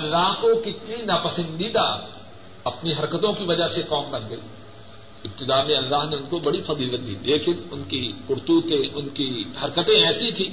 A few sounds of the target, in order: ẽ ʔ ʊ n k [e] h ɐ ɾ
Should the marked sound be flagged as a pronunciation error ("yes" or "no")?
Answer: yes